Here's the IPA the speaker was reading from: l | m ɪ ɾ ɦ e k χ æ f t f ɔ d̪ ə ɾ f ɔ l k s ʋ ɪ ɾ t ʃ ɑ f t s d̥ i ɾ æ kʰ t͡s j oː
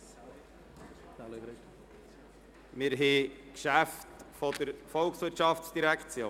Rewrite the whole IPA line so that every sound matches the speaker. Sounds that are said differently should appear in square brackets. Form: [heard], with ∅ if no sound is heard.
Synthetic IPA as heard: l | m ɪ ɾ ɦ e k [ʃ] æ f t f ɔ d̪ ə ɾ f ɔ l k s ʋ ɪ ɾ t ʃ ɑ f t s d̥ i ɾ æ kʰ t͡s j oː